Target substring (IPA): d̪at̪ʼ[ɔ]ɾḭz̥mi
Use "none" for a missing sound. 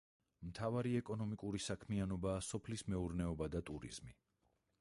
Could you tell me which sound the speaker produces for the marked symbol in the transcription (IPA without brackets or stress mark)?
u